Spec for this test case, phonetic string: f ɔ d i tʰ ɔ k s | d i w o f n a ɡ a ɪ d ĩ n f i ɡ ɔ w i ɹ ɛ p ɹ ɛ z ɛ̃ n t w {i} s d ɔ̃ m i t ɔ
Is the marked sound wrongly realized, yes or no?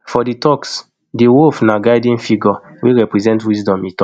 no